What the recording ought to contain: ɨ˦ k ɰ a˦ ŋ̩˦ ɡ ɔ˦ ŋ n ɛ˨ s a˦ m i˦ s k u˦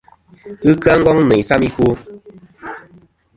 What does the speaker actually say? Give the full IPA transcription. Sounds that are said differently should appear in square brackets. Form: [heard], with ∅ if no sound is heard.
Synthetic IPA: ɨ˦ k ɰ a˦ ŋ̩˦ ɡ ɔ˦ ŋ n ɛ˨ s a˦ m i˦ [∅] k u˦